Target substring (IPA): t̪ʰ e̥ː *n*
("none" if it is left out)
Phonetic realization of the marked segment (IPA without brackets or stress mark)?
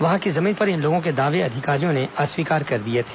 none